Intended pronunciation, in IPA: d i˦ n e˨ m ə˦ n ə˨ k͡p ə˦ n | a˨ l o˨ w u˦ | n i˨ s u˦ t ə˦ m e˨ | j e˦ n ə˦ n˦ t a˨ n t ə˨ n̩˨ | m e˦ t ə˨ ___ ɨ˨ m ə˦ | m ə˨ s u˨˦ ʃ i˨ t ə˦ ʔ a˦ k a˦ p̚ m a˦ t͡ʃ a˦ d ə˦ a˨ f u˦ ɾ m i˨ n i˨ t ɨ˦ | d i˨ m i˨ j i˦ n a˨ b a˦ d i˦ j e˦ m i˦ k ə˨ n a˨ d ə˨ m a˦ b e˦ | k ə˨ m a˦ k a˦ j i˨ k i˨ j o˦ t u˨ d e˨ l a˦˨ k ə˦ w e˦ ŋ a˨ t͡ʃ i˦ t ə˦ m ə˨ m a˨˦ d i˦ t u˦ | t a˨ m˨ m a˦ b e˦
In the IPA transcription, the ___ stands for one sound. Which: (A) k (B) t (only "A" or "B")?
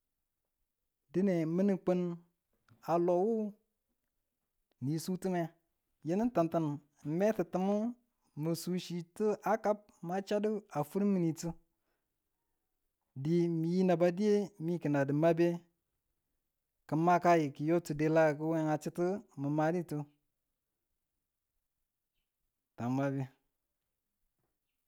B